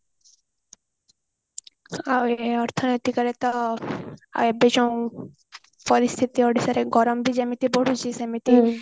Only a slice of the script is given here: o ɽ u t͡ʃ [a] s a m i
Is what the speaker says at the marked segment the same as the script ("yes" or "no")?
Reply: no